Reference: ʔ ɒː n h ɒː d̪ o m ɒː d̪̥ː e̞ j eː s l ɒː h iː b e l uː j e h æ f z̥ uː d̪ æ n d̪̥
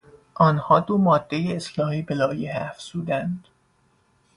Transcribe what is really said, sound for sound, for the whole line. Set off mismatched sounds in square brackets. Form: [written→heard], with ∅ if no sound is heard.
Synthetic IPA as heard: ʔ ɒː n h ɒː d̪ o m ɒː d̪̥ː e̞ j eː s l ɒː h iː b e l [uː→ɒː] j e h æ f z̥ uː d̪ æ n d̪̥